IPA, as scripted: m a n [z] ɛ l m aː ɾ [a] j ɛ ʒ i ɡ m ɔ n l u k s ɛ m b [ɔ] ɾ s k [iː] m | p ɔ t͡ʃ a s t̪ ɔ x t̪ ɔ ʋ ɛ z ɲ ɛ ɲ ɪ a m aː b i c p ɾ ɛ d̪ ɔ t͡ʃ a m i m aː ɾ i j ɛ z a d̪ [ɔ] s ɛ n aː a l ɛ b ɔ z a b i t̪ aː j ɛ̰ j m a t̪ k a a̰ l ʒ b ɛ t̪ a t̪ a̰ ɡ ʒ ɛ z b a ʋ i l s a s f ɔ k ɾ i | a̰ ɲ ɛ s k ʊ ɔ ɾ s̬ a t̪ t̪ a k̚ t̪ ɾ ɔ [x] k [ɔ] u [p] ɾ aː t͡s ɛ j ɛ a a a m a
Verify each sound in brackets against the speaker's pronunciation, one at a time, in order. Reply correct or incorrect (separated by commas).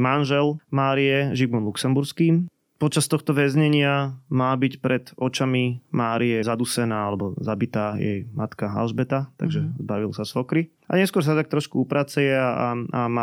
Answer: incorrect, incorrect, incorrect, correct, incorrect, incorrect, incorrect, correct